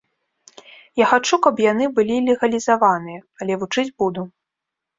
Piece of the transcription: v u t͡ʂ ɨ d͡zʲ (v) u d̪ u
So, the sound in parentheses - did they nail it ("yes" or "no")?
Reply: no